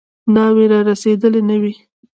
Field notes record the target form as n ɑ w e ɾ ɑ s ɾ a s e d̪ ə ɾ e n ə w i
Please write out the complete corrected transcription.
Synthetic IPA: n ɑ w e ɾ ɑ ɾ a s e d̪ ə l e n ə w i

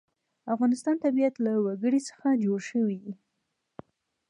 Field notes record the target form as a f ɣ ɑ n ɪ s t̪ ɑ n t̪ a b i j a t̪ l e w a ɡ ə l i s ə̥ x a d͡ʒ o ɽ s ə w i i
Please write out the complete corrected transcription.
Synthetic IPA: a f ɣ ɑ n ɪ s t̪ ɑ n t̪ a b i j a t̪ l a w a ɡ ə ɽ i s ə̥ x a d͡ʒ o ɽ ʃ ə w i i

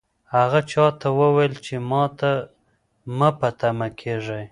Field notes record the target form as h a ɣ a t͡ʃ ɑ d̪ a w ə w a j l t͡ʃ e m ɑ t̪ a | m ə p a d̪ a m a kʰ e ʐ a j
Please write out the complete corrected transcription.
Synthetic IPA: h a ɣ a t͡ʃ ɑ t̪ a w ə w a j l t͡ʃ e m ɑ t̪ a | m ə p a t̪ a m a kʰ e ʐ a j

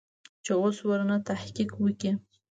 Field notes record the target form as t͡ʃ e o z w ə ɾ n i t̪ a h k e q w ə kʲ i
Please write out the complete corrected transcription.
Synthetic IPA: t͡ʃ e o s w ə ɾ n a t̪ a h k i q w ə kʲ i

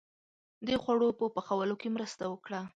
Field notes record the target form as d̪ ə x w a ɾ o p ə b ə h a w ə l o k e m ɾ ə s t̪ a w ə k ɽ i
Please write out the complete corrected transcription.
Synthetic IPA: d̪ ə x w a ɽ o p ə p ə x a w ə l o k e m ɾ ə s t̪ a w ə k ɽ a

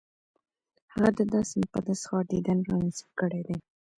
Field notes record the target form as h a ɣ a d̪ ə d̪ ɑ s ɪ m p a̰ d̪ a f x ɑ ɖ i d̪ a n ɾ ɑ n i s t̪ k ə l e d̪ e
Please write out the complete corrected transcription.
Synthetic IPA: h a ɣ a d̪ ə d̪ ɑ s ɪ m p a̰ d̪ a s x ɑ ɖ i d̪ a n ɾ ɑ n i s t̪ k ə ɽ e d̪ e

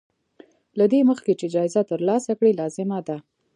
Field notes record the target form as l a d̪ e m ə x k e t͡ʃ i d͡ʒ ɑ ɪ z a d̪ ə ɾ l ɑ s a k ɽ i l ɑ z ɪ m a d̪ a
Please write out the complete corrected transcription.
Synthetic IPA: l a d̪ e m ə x k e t͡ʃ e d͡ʒ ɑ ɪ z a t̪ ə ɾ l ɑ s a k ɽ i l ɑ z ɪ m a d̪ a

